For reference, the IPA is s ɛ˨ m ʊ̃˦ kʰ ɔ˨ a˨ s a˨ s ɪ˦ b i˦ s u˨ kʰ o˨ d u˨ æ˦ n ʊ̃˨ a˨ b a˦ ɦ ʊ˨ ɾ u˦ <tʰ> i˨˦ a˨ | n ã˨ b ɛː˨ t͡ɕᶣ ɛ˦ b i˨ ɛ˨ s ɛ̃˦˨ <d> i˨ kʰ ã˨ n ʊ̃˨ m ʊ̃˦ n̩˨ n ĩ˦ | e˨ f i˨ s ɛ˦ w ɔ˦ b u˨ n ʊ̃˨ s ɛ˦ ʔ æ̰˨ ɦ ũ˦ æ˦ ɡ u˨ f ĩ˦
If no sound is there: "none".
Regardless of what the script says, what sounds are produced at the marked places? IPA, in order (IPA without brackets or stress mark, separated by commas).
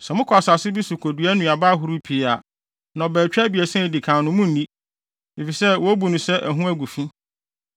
pʰ, d